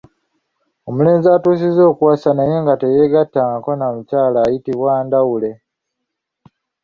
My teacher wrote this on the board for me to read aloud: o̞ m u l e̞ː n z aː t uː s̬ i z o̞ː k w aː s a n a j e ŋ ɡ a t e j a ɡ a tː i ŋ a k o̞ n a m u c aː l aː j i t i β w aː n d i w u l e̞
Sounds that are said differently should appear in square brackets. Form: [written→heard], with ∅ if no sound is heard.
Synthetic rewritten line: o̞ m u l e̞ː n z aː t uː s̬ i z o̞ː k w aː s a n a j e ŋ ɡ a t e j [a→e] ɡ a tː [i→a] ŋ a k o̞ n a m u c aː l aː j i t i β w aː n d [i→a] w u l e̞